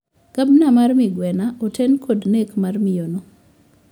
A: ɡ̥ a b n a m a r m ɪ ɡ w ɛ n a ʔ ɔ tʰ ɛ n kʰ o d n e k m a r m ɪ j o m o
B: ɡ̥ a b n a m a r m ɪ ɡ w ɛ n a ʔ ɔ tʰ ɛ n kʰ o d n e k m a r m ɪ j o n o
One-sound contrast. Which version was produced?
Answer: B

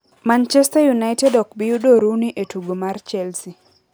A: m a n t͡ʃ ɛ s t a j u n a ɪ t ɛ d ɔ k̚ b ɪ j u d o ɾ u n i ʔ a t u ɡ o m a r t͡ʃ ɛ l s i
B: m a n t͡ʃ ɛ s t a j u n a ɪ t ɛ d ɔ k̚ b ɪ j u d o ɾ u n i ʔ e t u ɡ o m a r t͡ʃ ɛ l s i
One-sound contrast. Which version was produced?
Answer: B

